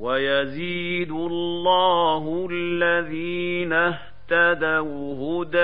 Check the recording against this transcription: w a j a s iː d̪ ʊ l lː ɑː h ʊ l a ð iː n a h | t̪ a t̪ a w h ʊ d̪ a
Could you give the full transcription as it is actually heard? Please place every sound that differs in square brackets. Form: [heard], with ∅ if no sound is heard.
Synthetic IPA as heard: w a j a [z] iː d̪ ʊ l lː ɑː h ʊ [lː] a ð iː n a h | t̪ a [d̪] a w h ʊ d̪ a